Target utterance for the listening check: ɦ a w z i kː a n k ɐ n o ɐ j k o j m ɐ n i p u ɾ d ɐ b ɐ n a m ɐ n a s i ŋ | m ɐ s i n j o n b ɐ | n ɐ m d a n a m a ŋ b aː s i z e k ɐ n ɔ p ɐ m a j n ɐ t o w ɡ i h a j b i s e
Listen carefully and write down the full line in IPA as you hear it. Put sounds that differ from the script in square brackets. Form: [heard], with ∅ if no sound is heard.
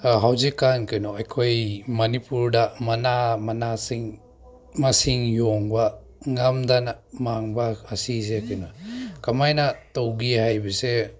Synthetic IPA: ɦ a w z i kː a n k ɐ n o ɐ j [kʰ] o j m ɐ n i p u ɾ d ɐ [m] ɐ n a m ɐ n a s i ŋ | m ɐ s i [ŋ] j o [ŋ] b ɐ | [ŋ] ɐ m d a n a m a ŋ b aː s i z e k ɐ n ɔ [k] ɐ m a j n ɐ t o w ɡ i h a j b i s e